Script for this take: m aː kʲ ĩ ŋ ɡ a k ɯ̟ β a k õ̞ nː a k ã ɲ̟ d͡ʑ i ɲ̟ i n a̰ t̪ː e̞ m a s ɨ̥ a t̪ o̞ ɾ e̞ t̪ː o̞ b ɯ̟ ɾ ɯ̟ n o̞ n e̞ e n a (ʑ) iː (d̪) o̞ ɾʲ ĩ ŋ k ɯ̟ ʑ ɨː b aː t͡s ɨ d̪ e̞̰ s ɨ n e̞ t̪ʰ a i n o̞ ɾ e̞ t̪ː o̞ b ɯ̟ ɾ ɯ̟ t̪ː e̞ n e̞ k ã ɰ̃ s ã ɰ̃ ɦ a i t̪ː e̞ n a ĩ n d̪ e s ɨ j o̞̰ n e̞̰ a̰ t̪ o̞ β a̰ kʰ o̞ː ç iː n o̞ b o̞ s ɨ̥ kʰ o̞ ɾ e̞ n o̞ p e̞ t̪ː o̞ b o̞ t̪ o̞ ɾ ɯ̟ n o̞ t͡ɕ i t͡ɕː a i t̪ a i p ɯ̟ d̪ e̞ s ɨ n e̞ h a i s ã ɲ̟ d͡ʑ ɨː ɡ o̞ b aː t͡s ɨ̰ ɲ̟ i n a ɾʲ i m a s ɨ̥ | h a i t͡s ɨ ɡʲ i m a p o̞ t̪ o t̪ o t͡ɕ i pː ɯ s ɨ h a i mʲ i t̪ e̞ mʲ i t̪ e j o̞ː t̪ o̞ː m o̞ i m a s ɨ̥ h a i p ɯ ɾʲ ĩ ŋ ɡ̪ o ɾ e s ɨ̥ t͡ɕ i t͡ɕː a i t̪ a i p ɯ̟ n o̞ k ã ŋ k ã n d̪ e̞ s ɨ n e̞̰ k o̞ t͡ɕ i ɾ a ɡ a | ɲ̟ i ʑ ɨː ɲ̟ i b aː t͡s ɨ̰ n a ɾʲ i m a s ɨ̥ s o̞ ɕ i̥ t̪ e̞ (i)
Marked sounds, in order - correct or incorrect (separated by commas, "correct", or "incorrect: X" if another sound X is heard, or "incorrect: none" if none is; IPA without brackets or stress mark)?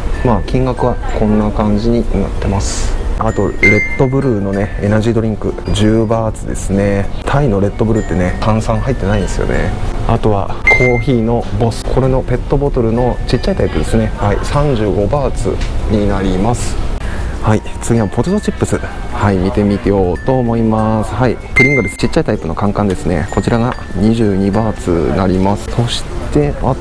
correct, correct, incorrect: a